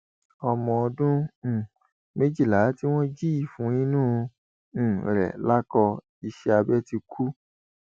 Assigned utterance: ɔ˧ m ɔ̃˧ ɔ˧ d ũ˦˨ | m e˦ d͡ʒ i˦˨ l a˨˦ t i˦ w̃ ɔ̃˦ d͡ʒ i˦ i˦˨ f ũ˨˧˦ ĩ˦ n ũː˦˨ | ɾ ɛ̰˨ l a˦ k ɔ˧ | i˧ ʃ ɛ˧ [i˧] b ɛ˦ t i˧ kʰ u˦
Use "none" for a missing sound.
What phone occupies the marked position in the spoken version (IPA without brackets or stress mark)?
a˧